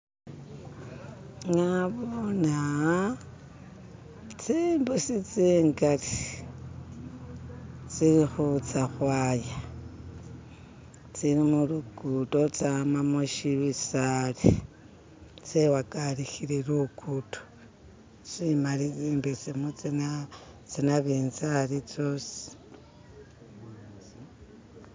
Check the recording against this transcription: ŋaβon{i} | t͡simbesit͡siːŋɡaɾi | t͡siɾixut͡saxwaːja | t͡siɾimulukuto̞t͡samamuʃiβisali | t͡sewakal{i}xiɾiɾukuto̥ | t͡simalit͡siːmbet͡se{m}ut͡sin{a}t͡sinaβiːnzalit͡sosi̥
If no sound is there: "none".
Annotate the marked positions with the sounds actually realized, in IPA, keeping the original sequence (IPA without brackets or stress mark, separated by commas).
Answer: a, i, m, a